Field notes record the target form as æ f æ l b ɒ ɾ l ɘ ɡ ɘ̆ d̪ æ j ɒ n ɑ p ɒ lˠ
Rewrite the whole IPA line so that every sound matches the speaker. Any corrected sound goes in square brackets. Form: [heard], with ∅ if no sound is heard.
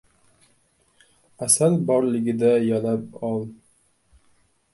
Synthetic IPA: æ [s] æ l b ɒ ɾ l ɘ ɡ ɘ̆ d̪ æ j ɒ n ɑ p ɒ lˠ